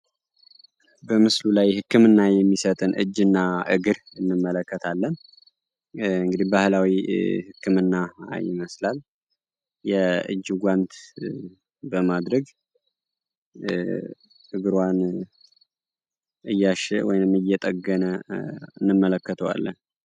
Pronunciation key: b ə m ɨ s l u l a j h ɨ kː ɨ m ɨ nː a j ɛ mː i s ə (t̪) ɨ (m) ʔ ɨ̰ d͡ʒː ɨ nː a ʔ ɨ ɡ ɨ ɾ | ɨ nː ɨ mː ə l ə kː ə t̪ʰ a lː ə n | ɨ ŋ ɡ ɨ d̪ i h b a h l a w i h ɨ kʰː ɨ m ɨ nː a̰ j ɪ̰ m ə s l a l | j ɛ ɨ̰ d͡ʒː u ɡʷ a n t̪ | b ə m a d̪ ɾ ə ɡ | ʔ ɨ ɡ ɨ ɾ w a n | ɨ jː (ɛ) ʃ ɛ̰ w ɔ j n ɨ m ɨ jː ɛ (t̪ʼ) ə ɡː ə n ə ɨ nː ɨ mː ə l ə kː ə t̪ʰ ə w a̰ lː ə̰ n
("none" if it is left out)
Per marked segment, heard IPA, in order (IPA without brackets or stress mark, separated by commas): t̪ʼ, n, a, t̪ʼ